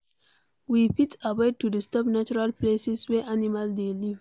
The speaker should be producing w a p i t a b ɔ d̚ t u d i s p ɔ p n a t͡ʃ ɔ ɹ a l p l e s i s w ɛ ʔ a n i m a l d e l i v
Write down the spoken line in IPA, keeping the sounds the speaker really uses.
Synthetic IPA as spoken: w i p i t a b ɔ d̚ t u d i s t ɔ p n a t͡ʃ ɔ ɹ a l p l e s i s w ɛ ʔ a n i m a l d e l i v